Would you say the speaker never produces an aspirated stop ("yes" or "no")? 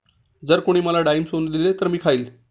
no